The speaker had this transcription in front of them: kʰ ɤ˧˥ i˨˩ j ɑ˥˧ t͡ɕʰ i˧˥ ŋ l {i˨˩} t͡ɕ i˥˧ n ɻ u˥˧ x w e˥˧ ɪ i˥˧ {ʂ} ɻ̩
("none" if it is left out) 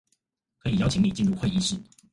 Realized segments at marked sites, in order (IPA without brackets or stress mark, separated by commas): i˨˩, ʂ